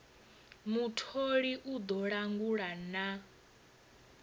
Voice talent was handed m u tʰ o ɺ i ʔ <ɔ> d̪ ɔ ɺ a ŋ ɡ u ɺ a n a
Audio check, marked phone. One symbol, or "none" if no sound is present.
u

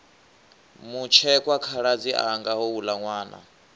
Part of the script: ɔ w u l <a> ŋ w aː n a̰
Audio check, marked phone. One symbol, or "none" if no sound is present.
a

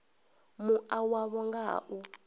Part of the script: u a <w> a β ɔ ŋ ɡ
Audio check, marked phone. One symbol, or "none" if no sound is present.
w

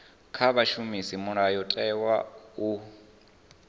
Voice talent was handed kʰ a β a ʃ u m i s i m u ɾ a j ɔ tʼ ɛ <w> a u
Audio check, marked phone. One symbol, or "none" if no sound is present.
w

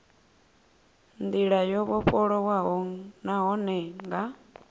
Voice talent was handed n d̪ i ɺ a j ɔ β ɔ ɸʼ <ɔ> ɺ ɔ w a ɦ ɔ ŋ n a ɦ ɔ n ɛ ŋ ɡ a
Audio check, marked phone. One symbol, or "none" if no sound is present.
ɔ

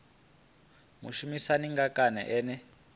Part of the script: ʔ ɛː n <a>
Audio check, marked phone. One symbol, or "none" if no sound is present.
ɛ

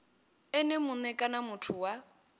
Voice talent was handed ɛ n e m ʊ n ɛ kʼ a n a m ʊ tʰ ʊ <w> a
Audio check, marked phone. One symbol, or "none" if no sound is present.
w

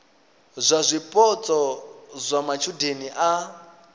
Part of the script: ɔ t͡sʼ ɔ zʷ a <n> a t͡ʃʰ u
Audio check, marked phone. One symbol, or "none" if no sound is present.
m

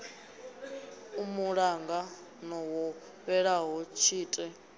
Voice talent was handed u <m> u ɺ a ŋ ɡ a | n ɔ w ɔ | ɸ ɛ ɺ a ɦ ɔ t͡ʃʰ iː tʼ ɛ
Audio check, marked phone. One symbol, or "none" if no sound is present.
m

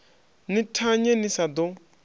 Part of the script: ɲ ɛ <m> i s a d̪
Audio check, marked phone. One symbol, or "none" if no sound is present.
n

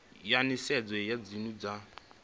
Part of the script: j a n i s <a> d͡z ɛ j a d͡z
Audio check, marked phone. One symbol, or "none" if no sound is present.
ɛ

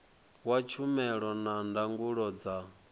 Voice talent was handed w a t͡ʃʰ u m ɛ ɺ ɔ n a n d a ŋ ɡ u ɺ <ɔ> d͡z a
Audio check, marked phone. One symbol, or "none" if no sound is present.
ɔ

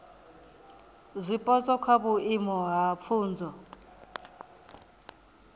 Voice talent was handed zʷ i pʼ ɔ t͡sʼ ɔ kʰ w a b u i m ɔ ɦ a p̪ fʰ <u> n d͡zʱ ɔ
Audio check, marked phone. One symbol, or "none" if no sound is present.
uː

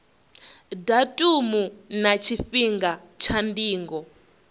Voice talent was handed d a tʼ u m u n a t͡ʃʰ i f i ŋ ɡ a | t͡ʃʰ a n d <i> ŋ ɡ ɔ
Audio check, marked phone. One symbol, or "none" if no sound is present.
iː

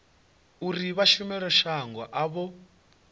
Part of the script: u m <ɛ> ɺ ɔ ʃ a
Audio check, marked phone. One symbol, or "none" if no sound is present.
ɛ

